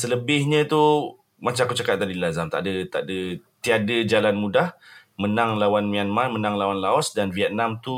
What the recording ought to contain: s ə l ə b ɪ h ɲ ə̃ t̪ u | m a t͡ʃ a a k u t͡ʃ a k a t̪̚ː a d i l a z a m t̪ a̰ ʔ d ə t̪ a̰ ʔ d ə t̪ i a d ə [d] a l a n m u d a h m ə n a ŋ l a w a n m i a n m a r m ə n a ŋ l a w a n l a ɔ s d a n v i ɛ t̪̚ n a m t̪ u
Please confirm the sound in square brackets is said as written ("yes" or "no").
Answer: no